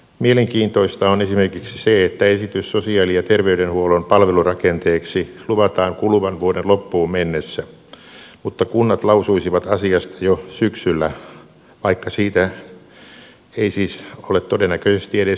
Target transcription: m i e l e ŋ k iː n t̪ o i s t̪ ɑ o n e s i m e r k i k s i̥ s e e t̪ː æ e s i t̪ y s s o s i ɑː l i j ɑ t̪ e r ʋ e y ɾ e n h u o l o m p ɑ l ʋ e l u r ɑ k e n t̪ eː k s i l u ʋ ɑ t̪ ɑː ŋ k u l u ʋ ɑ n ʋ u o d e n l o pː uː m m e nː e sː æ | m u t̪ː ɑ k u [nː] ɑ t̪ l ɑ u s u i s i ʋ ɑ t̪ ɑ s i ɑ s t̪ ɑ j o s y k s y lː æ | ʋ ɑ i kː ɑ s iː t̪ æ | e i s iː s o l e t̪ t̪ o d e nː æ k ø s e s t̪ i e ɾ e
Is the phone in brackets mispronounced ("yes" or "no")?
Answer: no